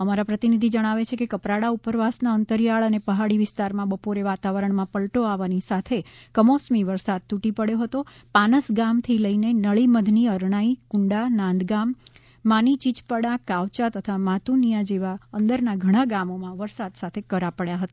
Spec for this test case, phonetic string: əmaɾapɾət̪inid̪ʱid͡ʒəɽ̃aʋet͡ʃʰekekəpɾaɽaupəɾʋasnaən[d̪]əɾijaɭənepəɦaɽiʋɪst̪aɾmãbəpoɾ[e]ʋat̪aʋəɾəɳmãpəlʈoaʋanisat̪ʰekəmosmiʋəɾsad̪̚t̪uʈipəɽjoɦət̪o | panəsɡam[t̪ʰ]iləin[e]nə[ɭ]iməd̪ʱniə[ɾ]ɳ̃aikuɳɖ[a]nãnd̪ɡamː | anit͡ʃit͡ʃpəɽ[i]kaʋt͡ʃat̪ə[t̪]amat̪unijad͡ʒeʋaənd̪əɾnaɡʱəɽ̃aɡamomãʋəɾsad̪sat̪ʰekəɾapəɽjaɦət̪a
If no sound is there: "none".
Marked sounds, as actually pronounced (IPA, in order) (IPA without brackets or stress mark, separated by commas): t̪, e, t̪ʰ, e, ɭ, ɾ, a, a, t̪ʰ